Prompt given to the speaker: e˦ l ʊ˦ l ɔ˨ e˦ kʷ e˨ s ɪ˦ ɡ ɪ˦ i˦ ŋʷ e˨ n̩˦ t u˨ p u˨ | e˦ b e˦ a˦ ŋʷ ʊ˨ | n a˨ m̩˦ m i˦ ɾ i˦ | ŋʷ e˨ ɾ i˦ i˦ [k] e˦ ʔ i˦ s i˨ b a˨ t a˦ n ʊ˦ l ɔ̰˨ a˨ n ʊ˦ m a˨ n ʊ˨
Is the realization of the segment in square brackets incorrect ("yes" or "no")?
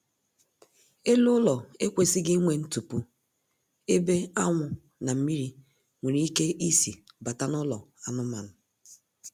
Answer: no